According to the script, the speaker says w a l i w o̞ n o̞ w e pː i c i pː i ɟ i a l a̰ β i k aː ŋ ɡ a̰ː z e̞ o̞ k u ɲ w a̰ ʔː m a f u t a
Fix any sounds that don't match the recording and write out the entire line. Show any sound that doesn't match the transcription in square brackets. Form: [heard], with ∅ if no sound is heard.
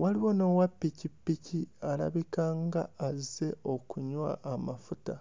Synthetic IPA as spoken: w a l i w o̞ n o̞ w [a] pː i c i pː i [c] i a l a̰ β i k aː ŋ ɡ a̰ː z e̞ o̞ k u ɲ w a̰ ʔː m a f u t a